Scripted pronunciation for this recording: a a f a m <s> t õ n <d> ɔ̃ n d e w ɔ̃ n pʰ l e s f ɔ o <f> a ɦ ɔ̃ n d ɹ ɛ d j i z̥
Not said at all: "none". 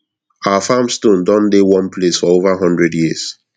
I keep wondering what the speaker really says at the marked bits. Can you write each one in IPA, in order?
s, d, v

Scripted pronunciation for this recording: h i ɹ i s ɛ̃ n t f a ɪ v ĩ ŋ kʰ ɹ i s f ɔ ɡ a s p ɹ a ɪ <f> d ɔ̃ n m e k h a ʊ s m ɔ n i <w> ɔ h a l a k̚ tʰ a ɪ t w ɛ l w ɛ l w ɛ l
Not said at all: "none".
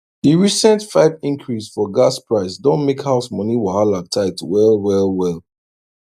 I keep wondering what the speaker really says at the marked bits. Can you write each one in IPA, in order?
s, w

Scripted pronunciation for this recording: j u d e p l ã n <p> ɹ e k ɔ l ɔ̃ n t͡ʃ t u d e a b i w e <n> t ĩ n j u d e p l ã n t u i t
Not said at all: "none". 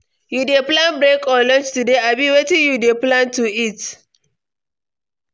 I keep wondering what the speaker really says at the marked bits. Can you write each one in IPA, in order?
b, none

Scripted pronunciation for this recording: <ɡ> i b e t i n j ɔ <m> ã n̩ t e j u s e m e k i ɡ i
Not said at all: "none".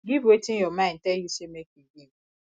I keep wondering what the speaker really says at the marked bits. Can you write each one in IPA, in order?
ɡ, m

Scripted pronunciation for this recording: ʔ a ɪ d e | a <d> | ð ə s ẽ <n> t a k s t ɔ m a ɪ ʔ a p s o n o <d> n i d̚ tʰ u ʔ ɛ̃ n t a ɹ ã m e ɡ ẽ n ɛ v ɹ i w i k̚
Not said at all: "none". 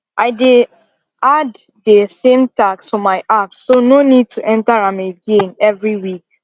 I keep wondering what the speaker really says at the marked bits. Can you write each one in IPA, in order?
d, m, none

